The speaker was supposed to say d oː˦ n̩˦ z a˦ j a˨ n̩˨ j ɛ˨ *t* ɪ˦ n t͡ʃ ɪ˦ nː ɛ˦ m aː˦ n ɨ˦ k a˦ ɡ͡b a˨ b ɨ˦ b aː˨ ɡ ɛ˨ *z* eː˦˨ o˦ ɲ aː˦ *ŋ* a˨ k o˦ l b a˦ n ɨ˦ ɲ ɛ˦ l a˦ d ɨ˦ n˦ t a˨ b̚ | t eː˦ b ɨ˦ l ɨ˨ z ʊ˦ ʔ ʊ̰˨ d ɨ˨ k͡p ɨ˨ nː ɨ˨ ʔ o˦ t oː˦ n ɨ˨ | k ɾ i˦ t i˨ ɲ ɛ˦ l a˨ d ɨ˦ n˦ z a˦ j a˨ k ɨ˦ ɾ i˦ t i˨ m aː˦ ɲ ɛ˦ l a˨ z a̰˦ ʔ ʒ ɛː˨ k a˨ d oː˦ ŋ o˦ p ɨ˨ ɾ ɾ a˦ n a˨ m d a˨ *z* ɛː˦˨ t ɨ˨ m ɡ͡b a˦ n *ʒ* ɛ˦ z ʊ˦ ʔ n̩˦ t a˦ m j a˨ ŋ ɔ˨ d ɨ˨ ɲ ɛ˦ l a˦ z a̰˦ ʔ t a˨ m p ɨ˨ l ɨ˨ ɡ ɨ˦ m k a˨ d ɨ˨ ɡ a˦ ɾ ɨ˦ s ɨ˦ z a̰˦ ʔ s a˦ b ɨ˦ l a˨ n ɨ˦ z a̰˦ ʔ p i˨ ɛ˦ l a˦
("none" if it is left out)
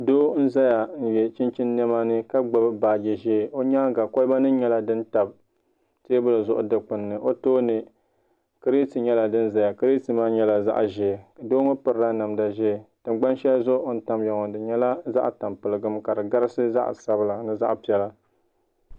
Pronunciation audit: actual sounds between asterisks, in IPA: t͡ʃ, ʒ, ɡ, ʒ, ʃ

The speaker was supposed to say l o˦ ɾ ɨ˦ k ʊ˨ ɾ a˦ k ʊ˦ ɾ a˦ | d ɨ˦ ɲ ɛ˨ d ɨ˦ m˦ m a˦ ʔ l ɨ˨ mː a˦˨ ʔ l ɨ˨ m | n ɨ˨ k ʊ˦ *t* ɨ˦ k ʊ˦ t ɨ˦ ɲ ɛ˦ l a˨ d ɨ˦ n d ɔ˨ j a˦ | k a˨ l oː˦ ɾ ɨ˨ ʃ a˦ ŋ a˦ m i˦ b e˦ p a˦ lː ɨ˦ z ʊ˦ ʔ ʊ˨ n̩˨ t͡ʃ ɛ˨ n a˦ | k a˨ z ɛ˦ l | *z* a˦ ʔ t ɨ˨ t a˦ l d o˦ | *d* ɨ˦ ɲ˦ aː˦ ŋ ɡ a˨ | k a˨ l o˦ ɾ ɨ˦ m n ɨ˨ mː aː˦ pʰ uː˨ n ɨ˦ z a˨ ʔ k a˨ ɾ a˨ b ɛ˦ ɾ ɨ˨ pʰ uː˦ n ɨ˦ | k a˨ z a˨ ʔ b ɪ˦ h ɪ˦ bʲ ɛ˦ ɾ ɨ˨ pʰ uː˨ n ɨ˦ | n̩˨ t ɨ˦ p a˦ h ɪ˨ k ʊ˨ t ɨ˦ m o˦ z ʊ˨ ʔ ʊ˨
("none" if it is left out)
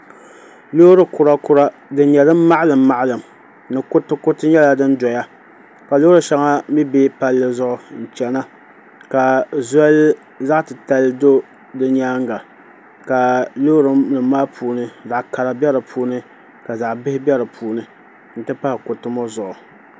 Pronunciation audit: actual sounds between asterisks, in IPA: t, z, d

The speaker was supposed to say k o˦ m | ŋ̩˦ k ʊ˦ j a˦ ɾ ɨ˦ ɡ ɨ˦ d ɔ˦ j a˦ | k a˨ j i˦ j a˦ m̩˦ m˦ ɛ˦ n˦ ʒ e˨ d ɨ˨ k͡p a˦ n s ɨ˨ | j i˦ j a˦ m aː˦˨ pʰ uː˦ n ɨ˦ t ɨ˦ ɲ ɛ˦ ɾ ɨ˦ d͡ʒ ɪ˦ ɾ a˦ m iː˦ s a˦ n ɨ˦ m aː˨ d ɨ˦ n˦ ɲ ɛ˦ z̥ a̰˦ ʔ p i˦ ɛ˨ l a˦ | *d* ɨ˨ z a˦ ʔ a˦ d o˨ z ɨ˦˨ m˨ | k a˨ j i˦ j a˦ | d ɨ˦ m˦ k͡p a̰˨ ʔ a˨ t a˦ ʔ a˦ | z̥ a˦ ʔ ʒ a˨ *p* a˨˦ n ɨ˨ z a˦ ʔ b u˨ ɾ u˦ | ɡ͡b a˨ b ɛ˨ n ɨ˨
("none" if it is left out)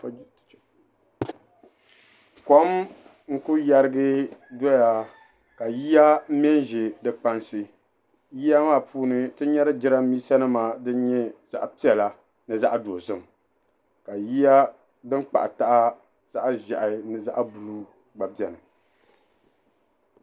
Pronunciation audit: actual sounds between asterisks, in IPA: n, ʔ

